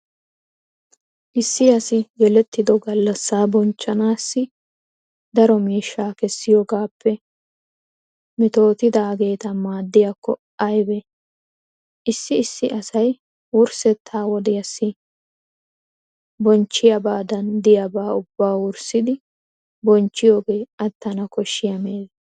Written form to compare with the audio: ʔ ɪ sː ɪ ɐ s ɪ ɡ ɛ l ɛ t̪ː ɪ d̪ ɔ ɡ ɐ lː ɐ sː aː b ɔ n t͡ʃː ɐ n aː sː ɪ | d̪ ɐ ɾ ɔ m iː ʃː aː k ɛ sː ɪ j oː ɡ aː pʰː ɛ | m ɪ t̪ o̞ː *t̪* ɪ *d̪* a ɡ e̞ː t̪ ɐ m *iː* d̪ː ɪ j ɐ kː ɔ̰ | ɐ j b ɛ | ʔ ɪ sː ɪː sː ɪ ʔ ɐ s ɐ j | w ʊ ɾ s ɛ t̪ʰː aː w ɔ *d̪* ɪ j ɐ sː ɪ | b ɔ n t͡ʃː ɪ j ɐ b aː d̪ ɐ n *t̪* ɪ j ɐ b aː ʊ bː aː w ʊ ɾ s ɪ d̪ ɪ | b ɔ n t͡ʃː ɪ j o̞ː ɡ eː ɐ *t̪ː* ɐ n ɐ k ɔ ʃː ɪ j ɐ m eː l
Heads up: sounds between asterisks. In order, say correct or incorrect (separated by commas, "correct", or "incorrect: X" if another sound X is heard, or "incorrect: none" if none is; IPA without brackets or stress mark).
correct, correct, incorrect: aː, correct, incorrect: d̪, correct